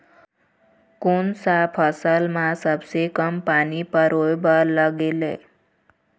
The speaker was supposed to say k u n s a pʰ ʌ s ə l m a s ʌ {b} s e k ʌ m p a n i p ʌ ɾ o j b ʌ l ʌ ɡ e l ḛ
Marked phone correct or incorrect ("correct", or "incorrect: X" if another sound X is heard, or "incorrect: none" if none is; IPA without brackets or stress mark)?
correct